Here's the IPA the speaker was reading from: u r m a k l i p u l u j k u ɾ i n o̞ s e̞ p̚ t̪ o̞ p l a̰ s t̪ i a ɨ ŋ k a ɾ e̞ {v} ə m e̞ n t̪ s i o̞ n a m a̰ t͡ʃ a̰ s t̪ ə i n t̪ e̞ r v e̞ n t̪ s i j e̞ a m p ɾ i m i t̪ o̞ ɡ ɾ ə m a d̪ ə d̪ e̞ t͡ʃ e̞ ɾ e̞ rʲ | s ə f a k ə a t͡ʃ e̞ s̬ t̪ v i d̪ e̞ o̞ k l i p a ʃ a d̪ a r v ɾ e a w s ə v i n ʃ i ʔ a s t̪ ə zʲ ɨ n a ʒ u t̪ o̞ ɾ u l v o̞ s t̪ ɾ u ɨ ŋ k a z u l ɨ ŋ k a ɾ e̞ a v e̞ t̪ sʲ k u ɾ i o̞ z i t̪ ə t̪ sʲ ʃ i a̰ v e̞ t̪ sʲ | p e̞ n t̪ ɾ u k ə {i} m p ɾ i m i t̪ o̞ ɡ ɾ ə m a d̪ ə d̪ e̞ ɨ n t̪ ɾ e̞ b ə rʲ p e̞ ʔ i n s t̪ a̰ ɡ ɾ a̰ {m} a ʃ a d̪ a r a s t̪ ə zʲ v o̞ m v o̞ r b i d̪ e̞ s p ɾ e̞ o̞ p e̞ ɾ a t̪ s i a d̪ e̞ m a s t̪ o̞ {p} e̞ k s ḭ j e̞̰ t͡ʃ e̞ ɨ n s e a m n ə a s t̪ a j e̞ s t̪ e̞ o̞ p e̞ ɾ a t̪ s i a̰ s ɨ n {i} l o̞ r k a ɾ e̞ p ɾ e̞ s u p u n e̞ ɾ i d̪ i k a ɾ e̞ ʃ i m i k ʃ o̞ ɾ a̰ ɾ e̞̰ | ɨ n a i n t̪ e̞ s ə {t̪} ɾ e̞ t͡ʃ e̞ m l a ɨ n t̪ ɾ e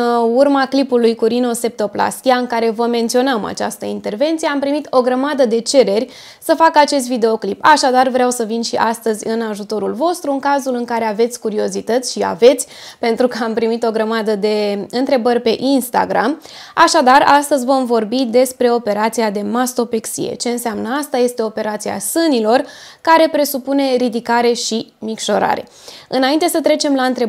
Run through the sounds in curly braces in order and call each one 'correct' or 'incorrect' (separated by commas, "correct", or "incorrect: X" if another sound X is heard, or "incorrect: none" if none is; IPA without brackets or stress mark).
correct, incorrect: a, correct, correct, correct, correct